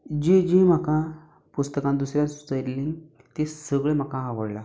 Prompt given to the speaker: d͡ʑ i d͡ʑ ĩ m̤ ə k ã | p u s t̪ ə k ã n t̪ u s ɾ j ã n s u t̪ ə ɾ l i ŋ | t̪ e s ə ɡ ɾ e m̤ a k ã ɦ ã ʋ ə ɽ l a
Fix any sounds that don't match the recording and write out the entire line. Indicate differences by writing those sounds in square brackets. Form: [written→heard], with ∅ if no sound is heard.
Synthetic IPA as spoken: d͡ʑ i d͡ʑ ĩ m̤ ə k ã | p u s t̪ ə k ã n [t̪→d̪] u s ɾ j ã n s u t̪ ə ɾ l i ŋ | t̪ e s ə ɡ [ɾ→ɭ] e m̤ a k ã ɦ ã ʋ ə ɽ l a